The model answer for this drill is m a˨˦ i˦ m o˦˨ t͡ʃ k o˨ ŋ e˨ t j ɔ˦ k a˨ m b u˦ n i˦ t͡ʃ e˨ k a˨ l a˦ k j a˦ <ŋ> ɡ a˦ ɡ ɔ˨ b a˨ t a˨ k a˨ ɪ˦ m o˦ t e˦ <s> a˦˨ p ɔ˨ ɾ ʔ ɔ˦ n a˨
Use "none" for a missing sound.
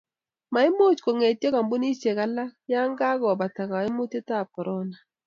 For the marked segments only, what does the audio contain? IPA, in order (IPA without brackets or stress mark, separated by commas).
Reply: ŋ, t